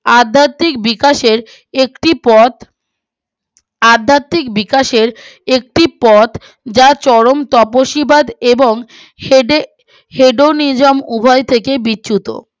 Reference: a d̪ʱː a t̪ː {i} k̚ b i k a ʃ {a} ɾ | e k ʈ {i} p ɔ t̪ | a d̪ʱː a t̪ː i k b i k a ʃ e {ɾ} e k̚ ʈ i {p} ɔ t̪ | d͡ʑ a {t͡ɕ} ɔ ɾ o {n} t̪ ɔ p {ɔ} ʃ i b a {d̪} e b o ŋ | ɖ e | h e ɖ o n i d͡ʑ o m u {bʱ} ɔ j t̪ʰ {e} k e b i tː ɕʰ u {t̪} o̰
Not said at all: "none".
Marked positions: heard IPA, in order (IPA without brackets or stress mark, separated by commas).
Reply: i, e, i, ɾ, p, t͡ɕ, m, o, d̪, bʱ, e, t̪